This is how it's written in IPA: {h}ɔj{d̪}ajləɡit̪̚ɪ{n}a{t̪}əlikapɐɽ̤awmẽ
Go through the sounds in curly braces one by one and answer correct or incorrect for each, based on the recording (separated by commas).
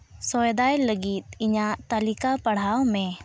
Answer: incorrect, correct, incorrect, correct